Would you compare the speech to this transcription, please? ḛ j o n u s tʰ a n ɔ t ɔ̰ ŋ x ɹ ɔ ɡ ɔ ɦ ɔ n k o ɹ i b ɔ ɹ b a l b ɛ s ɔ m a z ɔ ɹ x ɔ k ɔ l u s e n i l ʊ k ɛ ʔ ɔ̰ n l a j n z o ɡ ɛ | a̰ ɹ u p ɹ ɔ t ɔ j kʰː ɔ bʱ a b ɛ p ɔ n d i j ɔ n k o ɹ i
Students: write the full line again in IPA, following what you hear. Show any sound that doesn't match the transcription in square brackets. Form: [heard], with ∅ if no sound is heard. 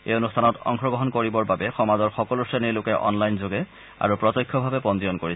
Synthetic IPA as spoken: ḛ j o n u s tʰ a n ɔ t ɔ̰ ŋ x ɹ ɔ ɡ ɔ ɦ ɔ n k o ɹ i b ɔ ɹ b a [∅] b ɛ [x] ɔ m a z ɔ ɹ x ɔ k ɔ l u s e n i l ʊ k ɛ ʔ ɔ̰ n l a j n z o ɡ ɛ | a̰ ɹ u p ɹ ɔ t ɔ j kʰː ɔ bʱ a b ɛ p ɔ n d i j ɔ n k o ɹ i